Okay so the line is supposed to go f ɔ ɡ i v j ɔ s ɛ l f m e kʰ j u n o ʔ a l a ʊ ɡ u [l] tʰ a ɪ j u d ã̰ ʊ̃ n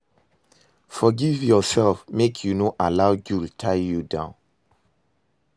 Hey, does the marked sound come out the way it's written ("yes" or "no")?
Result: yes